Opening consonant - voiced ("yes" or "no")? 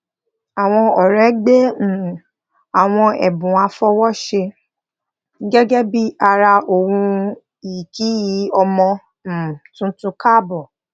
yes